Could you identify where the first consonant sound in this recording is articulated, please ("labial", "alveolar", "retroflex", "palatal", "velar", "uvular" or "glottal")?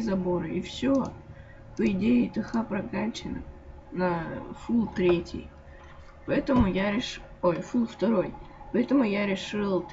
alveolar